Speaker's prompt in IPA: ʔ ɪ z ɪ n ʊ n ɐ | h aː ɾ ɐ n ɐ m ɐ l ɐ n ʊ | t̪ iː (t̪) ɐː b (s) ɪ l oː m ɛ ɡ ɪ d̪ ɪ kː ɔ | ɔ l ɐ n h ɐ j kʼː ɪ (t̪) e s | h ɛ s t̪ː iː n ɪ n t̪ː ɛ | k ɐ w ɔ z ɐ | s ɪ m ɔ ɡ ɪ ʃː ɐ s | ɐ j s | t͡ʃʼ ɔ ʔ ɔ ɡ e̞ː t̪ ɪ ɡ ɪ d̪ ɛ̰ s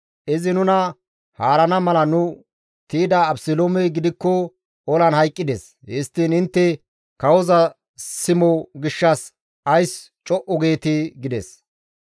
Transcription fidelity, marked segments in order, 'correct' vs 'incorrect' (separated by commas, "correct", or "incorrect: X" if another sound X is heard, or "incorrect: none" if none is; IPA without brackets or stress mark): incorrect: d̪, correct, incorrect: d̪